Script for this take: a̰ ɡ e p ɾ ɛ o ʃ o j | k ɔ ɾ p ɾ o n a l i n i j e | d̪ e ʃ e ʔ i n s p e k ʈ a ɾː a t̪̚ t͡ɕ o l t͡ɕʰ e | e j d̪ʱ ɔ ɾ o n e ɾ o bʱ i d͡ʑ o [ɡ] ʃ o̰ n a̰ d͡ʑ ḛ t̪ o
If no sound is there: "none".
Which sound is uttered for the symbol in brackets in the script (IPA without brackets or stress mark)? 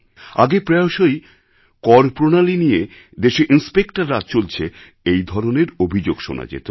ɡ